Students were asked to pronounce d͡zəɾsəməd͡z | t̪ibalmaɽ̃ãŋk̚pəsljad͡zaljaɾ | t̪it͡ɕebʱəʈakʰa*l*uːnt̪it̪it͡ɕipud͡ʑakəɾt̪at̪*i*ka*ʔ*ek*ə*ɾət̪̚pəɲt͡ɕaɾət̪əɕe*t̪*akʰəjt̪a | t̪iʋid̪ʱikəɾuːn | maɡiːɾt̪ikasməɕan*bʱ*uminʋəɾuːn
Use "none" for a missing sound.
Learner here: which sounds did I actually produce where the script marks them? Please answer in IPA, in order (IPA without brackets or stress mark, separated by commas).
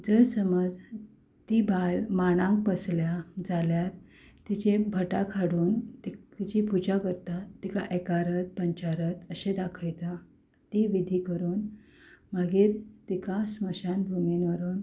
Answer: ɽ, i, ʔ, a, d̪, bʱ